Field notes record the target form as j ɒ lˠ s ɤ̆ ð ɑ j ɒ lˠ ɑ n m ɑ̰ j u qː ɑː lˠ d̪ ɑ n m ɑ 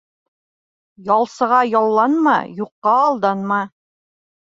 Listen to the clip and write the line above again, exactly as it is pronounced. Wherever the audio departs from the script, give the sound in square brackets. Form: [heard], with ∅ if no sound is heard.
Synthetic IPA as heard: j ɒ lˠ s ɤ̆ [ʁ] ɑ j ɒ [lˠː] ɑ n m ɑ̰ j u qː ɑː lˠ d̪ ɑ n m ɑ